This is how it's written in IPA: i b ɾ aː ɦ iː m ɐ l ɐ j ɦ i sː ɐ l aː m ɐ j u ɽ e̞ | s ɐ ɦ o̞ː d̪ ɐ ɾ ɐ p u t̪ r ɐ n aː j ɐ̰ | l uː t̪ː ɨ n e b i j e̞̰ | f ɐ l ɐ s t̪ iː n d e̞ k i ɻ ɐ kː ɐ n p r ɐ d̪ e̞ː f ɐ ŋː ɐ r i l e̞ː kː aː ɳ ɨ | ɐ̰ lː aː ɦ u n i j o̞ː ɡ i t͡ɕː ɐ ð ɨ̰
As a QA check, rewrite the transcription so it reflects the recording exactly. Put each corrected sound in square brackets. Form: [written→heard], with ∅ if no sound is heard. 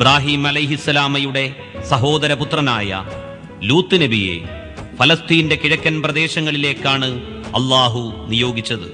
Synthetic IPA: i b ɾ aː ɦ iː m ɐ l ɐ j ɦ i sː ɐ l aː m ɐ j u ɽ e̞ | s ɐ ɦ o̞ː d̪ ɐ ɾ ɐ p u t̪ r ɐ n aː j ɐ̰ | l uː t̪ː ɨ n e b i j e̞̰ | f ɐ l ɐ s t̪ iː n d e̞ k i ɻ ɐ kː ɐ n p r ɐ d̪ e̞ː [f→ɕ] ɐ ŋː ɐ [r→ɭ] i l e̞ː kː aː ɳ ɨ | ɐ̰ lː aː ɦ u n i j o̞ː ɡ i t͡ɕː ɐ ð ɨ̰